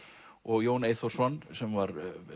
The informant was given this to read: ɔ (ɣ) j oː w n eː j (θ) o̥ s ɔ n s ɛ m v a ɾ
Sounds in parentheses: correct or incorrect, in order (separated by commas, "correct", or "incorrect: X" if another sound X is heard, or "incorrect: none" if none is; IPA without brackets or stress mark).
correct, correct